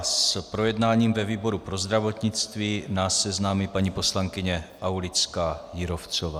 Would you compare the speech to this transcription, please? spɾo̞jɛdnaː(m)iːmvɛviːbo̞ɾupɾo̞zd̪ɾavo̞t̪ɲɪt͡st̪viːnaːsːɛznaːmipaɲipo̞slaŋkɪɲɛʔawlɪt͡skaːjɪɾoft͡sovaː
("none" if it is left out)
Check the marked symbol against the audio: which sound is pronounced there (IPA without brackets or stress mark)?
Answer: ɲ